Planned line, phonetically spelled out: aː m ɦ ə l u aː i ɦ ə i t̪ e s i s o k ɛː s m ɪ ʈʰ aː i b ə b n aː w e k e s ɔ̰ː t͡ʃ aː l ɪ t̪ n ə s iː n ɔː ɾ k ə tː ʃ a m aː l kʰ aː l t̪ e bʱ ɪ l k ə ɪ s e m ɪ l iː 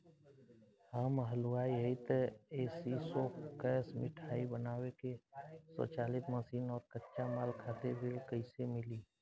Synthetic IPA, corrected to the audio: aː m ɦ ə l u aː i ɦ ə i t̪ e s i s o k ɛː s m ɪ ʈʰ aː i b ə n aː w e k e s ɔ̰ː t͡ʃ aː l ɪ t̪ m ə s iː n ɔː ɾ k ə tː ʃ a m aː l kʰ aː t̪ e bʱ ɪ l k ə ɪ s e m ɪ l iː